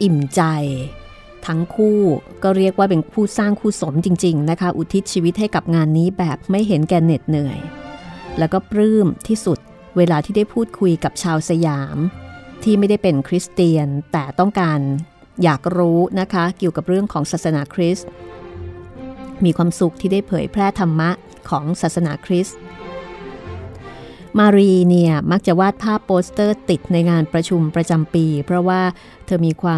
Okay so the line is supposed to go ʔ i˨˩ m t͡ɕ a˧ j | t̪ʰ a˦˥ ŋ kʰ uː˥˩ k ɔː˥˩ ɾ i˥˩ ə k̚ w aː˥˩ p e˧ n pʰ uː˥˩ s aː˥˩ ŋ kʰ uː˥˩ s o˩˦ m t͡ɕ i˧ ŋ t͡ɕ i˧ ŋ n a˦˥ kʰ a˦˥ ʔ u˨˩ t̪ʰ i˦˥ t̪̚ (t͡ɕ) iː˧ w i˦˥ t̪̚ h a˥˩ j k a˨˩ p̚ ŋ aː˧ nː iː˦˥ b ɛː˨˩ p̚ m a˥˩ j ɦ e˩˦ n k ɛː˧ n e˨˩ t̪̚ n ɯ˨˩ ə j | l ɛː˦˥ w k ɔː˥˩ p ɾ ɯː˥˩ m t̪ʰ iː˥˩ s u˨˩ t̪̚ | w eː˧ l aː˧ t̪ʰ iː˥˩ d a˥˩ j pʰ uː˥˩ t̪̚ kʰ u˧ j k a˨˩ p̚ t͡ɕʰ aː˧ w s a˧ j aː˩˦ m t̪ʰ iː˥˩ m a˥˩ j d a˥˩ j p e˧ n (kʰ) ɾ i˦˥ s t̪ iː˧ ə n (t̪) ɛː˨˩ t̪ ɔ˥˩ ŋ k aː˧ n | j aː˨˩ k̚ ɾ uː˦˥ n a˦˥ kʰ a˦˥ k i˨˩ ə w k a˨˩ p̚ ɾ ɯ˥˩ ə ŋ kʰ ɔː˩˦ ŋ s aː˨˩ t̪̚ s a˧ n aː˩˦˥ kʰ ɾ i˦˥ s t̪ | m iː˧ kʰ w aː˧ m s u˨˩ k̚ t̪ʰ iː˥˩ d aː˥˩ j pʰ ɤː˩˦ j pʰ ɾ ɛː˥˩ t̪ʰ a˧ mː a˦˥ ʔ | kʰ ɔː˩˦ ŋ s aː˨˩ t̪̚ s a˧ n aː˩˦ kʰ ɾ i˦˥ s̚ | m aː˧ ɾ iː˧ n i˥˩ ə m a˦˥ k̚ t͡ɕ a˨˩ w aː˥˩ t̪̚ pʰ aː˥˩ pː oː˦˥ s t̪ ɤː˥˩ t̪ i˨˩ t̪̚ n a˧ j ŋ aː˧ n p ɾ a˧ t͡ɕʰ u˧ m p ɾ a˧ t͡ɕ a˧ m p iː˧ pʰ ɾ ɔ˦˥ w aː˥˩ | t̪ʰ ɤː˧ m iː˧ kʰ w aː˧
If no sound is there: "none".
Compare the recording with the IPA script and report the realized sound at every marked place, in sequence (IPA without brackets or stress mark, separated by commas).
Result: t͡ɕʰ, kʰ, t̪